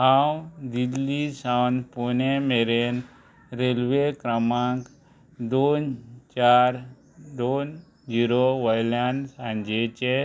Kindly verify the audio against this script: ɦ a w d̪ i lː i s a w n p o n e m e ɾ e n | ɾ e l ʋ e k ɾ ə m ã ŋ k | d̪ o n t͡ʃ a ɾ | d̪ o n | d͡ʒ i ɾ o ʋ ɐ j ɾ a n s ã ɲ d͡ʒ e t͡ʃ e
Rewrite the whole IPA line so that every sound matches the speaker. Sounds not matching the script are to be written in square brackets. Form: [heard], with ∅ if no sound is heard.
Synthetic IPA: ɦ a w d̪ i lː i s a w n p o n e m e ɾ e n | ɾ e l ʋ e k ɾ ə m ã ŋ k | d̪ o n t͡ʃ a ɾ | d̪ o n | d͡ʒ i ɾ o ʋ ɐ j [l] a n s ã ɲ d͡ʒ e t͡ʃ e